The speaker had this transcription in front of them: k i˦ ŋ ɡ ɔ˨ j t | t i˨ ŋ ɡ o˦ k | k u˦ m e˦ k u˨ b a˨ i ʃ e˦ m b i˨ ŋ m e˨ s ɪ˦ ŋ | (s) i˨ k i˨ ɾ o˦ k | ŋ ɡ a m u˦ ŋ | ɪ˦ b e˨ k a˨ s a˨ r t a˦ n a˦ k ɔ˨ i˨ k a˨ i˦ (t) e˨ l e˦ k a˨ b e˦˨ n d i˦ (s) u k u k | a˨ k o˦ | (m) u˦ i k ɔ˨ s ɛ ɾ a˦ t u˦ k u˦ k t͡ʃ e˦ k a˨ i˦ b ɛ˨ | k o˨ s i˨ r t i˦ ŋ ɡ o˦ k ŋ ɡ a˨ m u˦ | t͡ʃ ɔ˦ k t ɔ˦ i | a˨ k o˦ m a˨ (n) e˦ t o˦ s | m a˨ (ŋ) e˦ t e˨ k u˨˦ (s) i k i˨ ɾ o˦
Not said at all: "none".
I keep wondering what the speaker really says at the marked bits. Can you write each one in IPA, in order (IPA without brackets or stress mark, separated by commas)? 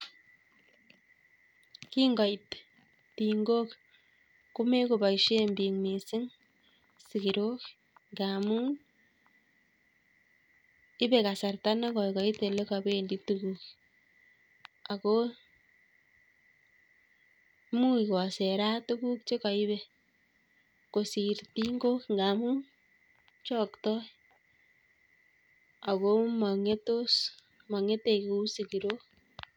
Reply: s, t, t, m, ŋ, ŋ, s